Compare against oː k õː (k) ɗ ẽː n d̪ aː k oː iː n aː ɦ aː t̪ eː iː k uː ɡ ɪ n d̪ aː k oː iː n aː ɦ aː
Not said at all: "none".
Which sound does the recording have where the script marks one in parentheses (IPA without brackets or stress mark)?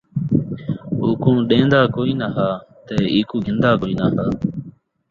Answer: none